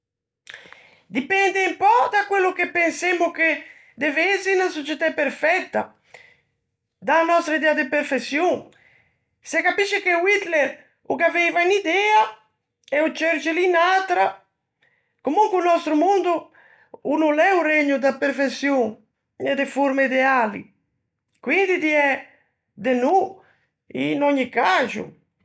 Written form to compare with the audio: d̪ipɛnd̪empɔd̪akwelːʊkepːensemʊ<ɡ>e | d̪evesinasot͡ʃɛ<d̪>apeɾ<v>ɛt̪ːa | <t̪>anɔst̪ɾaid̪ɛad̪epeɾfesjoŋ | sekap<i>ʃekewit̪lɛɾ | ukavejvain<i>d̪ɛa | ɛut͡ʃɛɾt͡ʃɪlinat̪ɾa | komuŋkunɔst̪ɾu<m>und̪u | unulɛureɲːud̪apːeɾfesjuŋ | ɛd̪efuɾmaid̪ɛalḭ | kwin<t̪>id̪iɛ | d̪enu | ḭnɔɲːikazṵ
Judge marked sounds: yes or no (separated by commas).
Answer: no, no, no, no, yes, yes, yes, no